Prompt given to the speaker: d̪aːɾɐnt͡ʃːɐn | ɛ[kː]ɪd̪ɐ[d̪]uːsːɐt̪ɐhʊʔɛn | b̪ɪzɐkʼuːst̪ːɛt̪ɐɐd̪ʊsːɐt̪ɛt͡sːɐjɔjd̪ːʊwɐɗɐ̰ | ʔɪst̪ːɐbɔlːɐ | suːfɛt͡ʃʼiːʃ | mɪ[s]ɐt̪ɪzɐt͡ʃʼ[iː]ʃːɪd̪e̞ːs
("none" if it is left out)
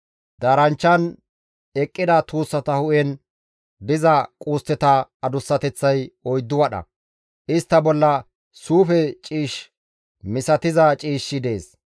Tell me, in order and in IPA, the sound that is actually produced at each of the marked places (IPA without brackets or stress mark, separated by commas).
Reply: kʼː, t̪, s, iː